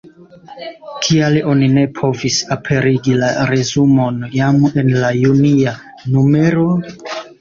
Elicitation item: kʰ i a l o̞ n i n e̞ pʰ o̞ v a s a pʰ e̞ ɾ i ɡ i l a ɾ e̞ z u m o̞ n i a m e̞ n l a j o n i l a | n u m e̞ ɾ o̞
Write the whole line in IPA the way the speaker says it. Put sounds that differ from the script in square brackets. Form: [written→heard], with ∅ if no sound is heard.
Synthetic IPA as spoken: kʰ i a l o̞ n i n e̞ pʰ o̞ v [a→i] s a pʰ e̞ ɾ i ɡ i l a ɾ e̞ z u m o̞ n [i→j] a m e̞ n l a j [o→u] n i [l→∅] a | n u m e̞ ɾ o̞